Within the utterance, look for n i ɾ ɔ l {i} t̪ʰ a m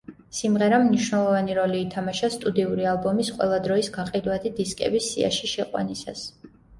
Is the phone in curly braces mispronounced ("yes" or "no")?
yes